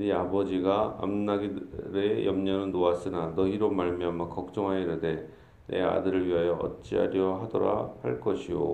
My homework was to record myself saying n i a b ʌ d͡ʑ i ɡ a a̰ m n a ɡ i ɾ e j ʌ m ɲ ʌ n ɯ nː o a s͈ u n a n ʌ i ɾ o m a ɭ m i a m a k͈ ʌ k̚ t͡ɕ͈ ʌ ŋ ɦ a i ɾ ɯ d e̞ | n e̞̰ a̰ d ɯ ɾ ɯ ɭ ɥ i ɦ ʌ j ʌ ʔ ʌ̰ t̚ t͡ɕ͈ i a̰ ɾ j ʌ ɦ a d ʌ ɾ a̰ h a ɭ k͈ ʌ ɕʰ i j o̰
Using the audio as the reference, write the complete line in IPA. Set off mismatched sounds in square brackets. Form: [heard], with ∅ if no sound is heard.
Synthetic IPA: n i a b ʌ d͡ʑ i ɡ a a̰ m n a ɡ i ɾ e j ʌ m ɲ ʌ n ɯ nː o a s͈ [ɯ] n a n ʌ i ɾ o m a ɭ m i a m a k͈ ʌ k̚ t͡ɕ͈ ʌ ŋ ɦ a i ɾ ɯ d e̞ | n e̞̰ a̰ d ɯ ɾ ɯ ɭ ɥ i ɦ [a] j ʌ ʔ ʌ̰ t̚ t͡ɕ͈ i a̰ ɾ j ʌ ɦ a d ʌ ɾ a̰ h a ɭ k͈ ʌ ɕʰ i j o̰